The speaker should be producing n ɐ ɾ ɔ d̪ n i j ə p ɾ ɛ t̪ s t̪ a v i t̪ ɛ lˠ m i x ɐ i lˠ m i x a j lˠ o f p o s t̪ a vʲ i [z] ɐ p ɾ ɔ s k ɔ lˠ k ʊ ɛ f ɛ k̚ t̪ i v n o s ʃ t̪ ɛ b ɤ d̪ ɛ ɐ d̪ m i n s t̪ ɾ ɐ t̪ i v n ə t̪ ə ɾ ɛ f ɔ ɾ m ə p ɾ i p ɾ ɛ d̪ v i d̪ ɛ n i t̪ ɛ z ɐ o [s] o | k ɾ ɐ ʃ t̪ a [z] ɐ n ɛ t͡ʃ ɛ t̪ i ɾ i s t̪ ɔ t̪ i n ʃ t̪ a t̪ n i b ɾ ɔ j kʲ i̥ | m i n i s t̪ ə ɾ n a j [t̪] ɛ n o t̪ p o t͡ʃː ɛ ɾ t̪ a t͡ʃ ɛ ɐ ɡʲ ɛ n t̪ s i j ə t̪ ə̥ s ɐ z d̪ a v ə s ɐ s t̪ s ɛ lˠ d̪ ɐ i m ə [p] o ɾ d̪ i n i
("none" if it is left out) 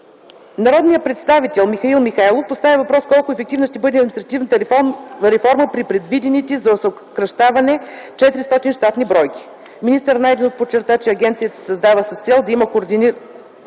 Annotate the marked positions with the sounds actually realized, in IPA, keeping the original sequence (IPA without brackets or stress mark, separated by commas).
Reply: v, s, v, d̪, k